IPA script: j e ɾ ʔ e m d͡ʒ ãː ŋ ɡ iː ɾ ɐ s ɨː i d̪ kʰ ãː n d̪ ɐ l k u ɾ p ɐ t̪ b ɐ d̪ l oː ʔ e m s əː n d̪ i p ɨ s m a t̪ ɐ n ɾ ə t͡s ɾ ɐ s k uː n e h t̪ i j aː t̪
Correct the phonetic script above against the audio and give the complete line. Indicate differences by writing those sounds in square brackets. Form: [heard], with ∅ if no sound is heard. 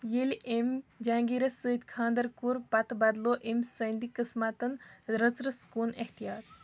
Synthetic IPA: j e [l] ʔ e m d͡ʒ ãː ŋ ɡ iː ɾ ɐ s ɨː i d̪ kʰ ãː n d̪ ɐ [ɾ] k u ɾ p ɐ t̪ b ɐ d̪ l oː ʔ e m s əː n d̪ i [k] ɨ s m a t̪ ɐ n ɾ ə t͡s ɾ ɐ s k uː n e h t̪ i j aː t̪